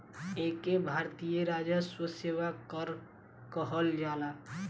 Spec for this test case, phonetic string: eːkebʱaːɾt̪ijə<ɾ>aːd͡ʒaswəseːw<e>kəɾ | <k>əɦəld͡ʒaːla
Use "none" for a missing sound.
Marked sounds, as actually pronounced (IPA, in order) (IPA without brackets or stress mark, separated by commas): ɾ, a, k